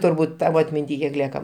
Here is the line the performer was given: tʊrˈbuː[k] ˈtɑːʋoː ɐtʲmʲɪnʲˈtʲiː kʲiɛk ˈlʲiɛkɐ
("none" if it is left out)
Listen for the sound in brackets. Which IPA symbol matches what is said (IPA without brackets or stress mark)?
t